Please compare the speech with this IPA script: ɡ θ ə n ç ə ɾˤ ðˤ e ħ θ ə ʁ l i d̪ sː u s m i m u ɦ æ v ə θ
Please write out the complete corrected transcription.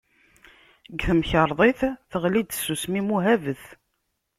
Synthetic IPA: ɡ θ ə m ç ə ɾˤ ðˤ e θ θ ə ʁ l i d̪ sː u s m i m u ɦ æ v ə θ